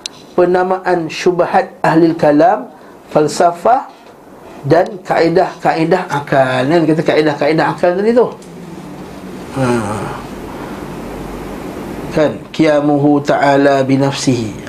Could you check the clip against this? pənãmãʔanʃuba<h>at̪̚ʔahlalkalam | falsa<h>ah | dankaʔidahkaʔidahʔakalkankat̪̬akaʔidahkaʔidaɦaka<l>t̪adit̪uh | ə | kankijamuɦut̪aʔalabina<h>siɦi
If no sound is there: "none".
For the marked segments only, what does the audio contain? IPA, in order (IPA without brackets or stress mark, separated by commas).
h, f, l, f